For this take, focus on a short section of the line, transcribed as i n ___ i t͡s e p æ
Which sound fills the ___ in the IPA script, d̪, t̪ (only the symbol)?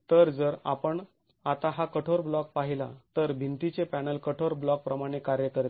t̪